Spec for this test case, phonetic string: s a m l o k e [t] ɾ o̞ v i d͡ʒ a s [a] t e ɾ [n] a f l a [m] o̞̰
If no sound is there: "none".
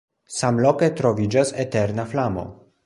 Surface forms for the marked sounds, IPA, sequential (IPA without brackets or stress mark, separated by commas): t, e, n, m